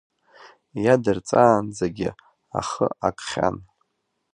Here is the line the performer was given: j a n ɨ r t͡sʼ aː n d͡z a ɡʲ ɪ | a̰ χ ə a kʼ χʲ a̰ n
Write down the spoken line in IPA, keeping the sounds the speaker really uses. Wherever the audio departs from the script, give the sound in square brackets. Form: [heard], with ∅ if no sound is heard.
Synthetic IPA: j a [d] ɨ r t͡sʼ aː n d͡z a ɡʲ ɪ | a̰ χ ə a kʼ χʲ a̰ n